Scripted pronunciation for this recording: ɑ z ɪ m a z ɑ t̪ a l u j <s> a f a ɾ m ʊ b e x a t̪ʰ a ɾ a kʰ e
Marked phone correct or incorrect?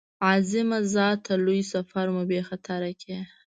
correct